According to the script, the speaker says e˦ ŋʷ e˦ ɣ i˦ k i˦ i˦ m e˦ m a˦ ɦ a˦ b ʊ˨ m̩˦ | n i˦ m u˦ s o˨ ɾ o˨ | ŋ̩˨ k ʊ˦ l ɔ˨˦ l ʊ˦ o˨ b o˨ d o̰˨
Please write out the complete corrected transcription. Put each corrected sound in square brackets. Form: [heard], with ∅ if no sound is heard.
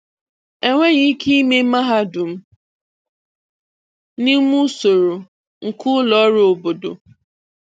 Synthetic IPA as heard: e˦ ŋʷ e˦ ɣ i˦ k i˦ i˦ m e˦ m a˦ ɦ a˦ [d] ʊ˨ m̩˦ | n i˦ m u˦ s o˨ ɾ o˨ | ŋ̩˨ k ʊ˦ l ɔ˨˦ [ɾ] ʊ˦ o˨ b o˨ d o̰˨